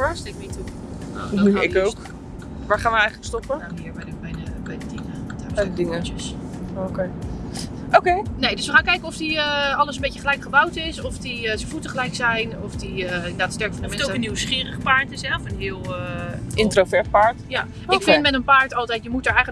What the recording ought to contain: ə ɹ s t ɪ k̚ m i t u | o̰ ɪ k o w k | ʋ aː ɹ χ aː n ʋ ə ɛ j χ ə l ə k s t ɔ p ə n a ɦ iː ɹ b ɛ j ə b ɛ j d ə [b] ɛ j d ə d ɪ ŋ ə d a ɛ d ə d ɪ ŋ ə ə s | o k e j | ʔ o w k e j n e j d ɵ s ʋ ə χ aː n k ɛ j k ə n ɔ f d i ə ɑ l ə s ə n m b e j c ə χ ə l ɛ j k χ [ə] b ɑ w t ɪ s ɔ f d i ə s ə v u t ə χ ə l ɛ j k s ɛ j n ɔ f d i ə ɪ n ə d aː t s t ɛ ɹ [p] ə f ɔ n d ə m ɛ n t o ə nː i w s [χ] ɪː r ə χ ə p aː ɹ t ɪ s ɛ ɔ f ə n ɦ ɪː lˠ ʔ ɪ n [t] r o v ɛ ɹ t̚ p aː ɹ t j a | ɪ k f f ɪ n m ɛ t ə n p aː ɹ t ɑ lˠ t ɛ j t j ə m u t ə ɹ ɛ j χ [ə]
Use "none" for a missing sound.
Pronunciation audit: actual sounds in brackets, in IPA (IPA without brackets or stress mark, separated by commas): b, ə, k, χ, t, ə